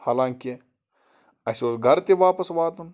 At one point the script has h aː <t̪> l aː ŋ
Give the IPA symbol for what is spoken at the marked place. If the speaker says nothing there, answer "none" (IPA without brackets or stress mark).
none